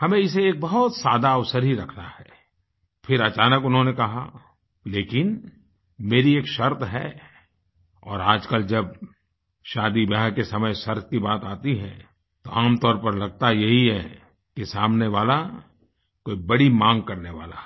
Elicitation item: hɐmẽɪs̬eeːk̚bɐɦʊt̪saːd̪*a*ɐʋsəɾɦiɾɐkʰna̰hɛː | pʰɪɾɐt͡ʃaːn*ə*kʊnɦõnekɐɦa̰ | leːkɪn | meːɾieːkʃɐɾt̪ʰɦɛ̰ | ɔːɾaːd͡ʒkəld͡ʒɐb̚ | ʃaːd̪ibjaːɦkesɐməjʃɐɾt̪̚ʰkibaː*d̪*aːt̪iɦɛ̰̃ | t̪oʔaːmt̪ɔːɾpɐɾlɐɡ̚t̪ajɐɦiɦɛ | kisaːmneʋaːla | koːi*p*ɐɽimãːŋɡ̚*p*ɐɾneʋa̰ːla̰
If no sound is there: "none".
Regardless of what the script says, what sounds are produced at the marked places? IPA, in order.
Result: a, ə, t̪, b, k

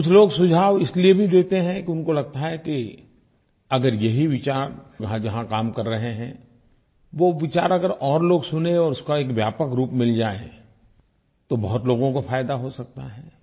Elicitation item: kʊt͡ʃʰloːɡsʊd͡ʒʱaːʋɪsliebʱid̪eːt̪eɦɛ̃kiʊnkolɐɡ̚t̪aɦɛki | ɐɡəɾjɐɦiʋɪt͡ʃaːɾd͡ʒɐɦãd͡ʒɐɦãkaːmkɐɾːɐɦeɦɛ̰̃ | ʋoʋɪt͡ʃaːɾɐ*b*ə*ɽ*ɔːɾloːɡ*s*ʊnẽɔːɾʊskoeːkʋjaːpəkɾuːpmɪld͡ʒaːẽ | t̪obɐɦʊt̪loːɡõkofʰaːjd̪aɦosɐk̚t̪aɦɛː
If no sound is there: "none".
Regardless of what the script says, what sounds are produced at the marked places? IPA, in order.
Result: ɡ, ɾ, s

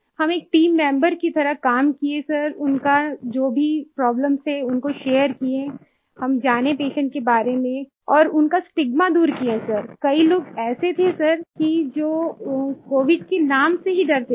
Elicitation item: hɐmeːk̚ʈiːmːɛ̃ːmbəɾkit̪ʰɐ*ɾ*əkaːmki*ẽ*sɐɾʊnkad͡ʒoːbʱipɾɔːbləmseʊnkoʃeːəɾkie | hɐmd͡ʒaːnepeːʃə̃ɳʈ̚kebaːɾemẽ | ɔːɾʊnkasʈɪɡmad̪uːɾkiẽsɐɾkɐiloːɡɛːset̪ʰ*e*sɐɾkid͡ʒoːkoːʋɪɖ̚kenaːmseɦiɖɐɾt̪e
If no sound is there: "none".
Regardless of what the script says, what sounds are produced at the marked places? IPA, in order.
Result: ɾ, e, e

